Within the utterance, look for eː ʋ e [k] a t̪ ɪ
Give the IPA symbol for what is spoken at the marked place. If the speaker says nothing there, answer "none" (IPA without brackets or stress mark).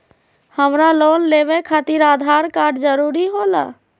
kʰ